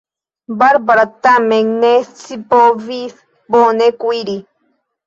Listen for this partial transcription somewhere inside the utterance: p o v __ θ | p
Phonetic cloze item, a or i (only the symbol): i